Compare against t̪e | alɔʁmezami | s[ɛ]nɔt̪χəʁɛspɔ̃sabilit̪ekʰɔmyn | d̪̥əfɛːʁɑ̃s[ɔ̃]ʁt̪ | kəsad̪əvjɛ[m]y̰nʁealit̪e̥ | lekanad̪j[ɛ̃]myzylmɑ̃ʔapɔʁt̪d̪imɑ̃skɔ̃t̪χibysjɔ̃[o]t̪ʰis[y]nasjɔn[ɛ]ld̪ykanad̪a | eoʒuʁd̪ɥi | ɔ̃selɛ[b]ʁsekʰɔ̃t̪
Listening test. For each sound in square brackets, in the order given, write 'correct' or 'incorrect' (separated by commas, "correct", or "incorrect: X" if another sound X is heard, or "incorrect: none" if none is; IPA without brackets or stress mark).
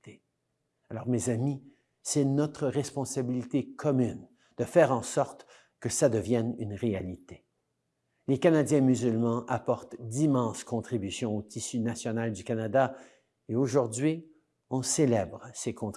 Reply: correct, incorrect: ɔ, incorrect: n, correct, correct, correct, incorrect: a, correct